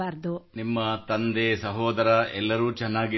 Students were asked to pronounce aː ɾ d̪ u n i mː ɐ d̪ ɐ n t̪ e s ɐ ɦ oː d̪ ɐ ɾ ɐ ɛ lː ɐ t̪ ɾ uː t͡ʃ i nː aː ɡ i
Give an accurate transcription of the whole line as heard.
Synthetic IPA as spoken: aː ɾ d̪ u n i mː ɐ t̪ ɐ n d̪ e s ɐ ɦ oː d̪ ɐ ɾ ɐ ɛ lː ɐ ɾ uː t͡ʃ ɛ nː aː ɡ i